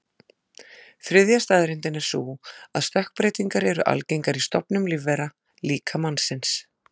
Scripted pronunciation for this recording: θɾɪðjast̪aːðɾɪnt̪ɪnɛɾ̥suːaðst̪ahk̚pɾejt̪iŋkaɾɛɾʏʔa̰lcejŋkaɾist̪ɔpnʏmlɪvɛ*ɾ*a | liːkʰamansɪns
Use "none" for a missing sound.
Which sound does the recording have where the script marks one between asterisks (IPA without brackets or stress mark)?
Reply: ɾ